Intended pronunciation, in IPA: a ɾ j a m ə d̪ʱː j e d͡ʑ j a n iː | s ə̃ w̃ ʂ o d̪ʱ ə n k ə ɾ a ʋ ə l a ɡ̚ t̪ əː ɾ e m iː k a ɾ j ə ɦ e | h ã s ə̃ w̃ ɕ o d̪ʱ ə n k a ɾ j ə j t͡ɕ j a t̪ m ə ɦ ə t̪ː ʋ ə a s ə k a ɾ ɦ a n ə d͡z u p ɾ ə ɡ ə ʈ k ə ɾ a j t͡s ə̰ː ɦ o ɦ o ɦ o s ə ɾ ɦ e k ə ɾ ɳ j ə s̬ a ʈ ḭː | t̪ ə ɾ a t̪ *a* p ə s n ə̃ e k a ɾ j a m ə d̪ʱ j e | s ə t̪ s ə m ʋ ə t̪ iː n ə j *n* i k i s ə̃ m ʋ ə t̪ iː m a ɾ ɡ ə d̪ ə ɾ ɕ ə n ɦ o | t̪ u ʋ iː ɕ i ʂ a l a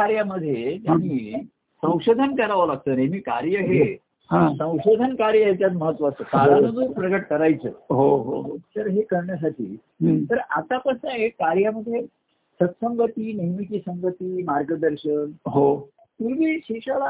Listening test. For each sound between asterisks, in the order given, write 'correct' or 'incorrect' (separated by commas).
correct, incorrect